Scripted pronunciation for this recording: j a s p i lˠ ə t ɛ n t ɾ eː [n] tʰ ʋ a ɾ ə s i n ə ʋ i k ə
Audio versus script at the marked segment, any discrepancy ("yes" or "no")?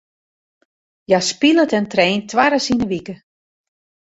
no